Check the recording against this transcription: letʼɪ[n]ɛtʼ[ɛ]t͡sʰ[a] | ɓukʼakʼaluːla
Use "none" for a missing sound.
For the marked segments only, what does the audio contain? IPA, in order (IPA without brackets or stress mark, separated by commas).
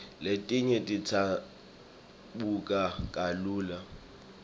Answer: ɲ, i, a